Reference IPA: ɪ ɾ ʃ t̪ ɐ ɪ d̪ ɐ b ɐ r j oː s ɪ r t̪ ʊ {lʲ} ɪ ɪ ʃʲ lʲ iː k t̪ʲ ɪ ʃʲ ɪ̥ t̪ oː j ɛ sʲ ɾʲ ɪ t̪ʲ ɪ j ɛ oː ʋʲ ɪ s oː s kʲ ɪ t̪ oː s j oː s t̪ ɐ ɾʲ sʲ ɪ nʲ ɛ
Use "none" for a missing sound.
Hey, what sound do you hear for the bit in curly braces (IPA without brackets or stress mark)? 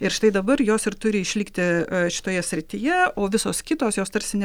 ɾʲ